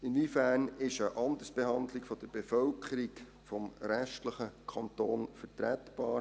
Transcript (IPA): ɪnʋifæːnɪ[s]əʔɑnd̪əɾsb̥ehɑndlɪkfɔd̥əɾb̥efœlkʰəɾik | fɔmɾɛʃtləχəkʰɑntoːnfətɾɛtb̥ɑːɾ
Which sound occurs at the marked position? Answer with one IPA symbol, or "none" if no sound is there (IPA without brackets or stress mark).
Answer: ʃ